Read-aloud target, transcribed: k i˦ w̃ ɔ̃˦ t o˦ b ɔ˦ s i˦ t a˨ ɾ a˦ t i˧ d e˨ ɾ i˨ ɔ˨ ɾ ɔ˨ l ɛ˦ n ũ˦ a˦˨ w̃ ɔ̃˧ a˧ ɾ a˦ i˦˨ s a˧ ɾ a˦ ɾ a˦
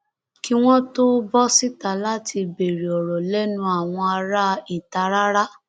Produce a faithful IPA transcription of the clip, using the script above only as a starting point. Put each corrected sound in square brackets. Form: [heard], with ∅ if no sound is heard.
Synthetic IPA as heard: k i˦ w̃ ɔ̃˦ t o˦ b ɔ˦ s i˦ t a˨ [l] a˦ t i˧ [b] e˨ ɾ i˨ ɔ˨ ɾ ɔ˨ l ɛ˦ n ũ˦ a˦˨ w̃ ɔ̃˧ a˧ ɾ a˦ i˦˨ [t] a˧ ɾ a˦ ɾ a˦